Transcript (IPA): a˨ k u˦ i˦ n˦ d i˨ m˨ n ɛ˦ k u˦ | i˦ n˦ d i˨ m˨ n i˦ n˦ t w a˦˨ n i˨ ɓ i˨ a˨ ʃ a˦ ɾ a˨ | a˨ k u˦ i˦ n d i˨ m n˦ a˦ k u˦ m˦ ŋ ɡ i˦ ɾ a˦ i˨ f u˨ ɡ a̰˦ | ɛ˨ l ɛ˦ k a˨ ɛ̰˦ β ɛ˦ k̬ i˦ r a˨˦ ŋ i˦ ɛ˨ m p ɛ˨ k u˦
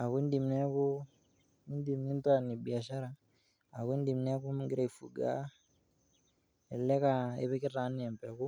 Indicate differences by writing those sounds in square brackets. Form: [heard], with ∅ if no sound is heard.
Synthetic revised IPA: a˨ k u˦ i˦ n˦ d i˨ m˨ n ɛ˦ k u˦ | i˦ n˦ d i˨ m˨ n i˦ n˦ t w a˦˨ n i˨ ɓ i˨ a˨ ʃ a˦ ɾ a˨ | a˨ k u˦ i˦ n d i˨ m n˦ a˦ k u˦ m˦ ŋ ɡ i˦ ɾ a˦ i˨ f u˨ ɡ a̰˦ | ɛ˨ l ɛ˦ k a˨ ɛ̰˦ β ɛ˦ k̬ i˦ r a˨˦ [n] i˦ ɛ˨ m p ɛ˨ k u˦